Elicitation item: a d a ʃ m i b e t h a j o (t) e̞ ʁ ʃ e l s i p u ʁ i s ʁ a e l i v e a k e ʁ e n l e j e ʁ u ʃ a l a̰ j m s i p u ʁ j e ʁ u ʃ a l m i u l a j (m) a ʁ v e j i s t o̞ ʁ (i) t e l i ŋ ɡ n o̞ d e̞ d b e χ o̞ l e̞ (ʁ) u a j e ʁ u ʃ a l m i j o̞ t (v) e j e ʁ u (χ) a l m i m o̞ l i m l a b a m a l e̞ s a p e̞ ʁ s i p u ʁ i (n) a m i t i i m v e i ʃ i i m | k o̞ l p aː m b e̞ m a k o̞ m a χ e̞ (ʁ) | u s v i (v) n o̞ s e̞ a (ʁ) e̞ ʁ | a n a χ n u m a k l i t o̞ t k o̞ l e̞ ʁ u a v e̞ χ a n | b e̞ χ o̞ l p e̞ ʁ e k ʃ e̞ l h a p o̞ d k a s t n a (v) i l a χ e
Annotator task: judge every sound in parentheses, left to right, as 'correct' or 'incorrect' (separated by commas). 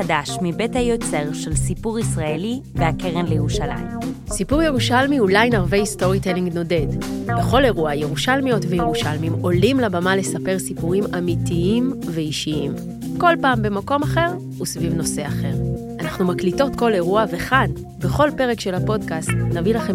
incorrect, incorrect, correct, correct, correct, incorrect, incorrect, correct, correct, incorrect, correct